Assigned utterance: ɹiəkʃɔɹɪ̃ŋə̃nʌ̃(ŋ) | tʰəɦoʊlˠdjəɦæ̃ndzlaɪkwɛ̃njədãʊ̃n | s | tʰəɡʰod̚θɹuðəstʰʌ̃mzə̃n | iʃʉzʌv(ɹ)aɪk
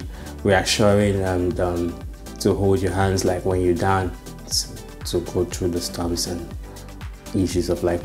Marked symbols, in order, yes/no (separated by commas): no, no